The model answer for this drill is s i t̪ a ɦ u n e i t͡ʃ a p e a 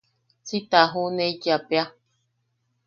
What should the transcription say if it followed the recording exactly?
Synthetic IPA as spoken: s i t̪ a ɦ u n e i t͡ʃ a p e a